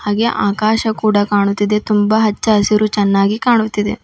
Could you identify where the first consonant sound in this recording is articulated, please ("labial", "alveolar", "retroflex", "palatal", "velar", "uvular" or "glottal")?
glottal